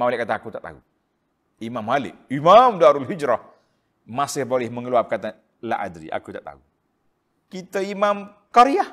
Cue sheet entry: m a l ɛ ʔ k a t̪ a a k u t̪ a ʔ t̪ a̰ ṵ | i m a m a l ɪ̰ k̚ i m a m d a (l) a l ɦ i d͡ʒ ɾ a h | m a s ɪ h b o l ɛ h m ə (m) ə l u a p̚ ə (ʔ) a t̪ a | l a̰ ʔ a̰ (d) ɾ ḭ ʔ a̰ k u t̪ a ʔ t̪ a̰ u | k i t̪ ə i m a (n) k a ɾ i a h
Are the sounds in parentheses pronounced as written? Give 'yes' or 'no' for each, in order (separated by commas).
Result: no, no, no, yes, no